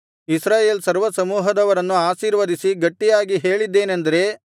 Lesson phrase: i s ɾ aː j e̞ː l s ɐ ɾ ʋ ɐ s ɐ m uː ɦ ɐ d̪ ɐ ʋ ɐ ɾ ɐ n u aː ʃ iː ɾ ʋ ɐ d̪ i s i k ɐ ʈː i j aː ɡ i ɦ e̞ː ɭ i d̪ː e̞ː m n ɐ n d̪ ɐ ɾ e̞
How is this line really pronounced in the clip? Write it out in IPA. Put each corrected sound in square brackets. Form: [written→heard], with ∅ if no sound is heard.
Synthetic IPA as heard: i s ɾ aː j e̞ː l s ɐ ɾ ʋ ɐ s ɐ m uː ɦ ɐ d̪ ɐ ʋ ɐ ɾ ɐ [n→nː] u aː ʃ iː ɾ ʋ ɐ d̪ i s i [k→ɡ] ɐ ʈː i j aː ɡ i ɦ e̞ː ɭ i d̪ː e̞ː [m→∅] n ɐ n d̪ ɐ ɾ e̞